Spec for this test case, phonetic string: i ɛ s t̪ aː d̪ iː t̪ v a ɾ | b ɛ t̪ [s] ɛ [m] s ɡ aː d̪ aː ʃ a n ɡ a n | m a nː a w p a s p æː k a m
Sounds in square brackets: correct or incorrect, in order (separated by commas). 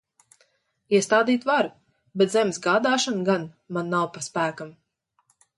incorrect, correct